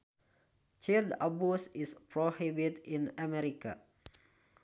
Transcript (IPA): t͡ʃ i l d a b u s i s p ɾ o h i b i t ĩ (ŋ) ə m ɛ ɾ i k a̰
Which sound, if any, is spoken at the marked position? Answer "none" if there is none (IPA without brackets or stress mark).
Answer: n